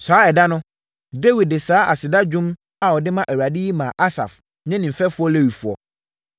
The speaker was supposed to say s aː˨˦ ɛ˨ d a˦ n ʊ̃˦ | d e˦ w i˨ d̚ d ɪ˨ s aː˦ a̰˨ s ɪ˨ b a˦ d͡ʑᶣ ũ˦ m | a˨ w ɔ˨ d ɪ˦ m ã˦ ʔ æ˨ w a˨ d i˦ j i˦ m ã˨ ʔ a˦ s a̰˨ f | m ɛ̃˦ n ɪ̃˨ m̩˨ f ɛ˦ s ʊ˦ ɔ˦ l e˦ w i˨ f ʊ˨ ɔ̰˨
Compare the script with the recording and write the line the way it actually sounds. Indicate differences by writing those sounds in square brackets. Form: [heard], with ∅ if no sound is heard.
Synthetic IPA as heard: s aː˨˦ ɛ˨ d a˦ n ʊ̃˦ | d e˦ w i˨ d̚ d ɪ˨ s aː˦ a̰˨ s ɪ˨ [d] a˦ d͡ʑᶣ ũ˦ m | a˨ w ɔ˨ d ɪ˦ m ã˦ ʔ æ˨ w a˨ d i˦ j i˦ m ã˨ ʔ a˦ s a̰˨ f | [ɲ] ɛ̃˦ n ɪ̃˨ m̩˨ f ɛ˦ [f] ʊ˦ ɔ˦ l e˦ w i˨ f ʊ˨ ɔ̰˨